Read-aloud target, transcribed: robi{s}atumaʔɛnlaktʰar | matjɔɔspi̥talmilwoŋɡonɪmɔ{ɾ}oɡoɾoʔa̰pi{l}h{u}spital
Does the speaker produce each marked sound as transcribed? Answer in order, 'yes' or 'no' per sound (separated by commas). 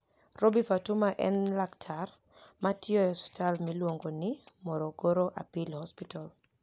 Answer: no, yes, yes, no